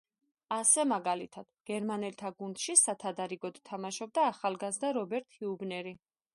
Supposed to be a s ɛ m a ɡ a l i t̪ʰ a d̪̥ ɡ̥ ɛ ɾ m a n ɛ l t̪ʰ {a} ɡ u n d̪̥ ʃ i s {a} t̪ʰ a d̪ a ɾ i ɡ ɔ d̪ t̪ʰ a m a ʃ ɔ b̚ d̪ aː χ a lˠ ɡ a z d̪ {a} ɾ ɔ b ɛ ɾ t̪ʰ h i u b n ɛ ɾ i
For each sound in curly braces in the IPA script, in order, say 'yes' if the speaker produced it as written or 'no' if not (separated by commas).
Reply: yes, yes, yes